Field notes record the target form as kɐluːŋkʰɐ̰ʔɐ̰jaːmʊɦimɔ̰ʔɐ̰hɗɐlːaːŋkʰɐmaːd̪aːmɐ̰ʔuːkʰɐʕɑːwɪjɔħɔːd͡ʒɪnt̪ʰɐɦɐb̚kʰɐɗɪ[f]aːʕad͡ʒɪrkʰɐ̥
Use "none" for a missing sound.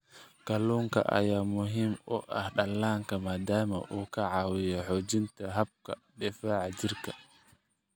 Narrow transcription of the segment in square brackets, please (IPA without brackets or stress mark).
f